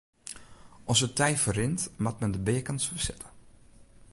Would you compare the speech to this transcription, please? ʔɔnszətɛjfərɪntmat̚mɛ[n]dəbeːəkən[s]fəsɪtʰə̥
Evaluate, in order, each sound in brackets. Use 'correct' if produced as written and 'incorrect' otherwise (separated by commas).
correct, correct